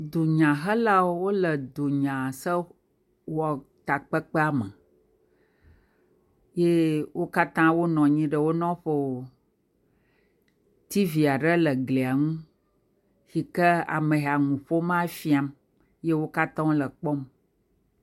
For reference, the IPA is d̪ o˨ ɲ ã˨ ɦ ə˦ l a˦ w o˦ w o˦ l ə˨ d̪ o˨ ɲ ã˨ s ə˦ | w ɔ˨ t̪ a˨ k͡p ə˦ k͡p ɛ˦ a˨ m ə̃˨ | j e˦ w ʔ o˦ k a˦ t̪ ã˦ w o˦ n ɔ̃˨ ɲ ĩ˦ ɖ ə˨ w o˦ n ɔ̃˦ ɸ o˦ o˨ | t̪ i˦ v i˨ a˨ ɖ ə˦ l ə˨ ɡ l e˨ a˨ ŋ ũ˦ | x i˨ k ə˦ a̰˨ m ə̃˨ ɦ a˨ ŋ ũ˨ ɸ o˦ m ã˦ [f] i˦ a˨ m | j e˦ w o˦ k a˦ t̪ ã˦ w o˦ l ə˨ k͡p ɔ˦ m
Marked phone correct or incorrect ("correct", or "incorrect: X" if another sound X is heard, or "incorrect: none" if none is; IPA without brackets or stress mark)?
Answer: correct